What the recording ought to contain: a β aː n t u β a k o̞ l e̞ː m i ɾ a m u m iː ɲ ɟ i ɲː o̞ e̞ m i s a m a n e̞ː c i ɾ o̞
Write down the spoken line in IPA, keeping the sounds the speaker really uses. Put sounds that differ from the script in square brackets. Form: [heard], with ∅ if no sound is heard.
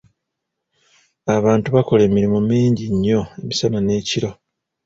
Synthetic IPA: a β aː n t u β a k o̞ l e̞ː m i ɾ [i] m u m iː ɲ ɟ i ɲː o̞ e̞ m i s a [n] a n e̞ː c i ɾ o̞